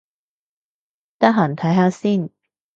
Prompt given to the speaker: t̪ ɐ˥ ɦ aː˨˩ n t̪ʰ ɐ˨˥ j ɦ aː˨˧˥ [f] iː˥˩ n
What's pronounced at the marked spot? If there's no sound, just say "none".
s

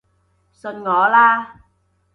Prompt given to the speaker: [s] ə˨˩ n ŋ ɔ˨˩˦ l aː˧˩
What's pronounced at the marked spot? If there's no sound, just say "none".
s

